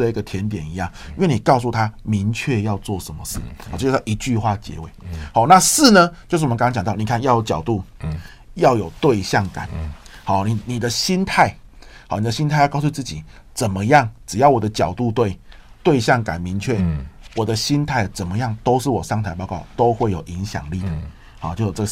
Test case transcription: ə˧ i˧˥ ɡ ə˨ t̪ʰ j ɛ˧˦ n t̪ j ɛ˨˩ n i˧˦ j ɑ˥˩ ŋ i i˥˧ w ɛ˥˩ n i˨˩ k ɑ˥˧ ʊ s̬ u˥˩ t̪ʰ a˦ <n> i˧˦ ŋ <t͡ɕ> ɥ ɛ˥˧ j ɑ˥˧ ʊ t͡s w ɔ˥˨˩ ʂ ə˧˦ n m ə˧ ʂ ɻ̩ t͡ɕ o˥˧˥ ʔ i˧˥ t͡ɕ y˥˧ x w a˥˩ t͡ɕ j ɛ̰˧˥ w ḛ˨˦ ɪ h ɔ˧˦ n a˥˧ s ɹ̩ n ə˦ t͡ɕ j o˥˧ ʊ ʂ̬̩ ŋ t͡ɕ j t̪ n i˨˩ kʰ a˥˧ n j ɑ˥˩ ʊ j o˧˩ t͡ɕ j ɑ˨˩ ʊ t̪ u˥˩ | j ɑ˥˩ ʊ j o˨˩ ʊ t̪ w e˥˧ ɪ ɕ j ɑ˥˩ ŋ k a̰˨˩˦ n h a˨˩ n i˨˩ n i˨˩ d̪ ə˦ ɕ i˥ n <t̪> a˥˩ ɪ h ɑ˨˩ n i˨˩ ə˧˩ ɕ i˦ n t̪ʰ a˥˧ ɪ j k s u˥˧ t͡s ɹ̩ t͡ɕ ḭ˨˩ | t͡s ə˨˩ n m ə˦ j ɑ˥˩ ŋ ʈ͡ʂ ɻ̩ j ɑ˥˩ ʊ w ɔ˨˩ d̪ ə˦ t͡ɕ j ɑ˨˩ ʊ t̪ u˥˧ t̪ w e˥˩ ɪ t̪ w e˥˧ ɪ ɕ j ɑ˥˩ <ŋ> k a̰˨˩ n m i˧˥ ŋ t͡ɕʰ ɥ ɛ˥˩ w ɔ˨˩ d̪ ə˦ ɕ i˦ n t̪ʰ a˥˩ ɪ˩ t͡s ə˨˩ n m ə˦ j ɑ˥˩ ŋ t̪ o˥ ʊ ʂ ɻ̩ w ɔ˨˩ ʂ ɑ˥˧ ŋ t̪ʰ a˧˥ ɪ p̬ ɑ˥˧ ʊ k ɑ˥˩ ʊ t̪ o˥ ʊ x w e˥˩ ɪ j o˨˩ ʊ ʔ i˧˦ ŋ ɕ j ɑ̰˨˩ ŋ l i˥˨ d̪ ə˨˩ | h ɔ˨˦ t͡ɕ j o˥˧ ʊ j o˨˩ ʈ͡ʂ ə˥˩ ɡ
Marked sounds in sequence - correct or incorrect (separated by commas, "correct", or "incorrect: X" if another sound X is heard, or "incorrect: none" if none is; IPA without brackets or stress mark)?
incorrect: m, incorrect: t͡ɕʰ, incorrect: t̪ʰ, correct